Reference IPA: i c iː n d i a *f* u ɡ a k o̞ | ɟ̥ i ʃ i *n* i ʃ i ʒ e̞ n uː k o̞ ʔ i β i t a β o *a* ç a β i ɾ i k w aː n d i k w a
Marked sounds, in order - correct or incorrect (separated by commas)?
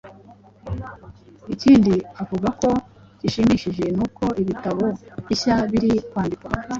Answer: incorrect, incorrect, incorrect